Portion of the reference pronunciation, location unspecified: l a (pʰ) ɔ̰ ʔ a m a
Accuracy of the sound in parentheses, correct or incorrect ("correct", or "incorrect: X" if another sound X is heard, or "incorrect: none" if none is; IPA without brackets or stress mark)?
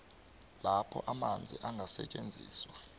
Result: correct